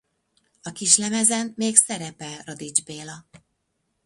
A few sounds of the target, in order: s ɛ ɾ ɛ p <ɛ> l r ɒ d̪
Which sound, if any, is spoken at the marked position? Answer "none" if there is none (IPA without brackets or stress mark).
ɛ